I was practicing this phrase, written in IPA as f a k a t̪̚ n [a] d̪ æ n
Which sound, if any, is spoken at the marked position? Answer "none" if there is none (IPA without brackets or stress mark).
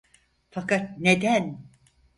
e